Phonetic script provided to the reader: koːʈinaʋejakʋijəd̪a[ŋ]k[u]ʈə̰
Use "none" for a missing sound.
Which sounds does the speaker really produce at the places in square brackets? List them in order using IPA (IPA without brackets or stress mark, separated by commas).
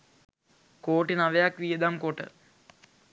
m, o